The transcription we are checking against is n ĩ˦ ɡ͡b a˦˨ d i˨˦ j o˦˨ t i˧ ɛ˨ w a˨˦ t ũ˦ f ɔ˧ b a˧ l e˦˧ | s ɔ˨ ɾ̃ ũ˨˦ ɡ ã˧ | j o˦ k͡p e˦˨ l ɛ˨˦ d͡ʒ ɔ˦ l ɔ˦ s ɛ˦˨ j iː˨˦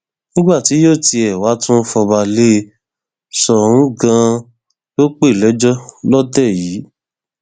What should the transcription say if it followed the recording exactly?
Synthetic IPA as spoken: n ĩ˦ ɡ͡b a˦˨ t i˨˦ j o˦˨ t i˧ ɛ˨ w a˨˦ t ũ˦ f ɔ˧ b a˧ l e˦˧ | s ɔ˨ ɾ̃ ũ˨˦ ɡ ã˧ | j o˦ k͡p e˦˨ l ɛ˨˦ d͡ʒ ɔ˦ l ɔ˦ t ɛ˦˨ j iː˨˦